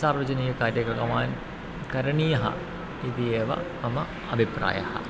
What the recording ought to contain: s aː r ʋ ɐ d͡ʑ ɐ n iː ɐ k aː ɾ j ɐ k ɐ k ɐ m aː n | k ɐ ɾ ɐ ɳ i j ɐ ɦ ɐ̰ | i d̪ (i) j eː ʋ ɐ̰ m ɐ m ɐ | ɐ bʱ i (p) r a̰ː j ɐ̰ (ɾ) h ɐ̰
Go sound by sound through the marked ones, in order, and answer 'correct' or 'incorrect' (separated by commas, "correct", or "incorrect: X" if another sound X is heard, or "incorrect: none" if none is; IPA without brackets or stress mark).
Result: correct, correct, incorrect: none